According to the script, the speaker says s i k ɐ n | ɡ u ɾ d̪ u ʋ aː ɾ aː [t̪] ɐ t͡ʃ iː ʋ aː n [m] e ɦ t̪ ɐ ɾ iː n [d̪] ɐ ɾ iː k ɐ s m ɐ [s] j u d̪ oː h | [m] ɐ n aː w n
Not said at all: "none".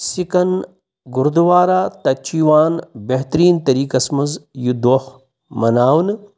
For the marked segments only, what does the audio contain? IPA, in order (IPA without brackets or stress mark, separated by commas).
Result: t̪, b, t̪, z, m